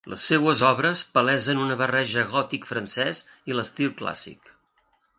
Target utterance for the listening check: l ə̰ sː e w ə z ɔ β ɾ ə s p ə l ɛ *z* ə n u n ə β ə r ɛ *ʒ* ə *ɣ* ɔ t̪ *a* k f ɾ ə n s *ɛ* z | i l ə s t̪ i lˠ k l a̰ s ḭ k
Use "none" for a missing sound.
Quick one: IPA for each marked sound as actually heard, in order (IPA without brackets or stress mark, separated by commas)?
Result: z, ʒ, ɣ, i, ɛ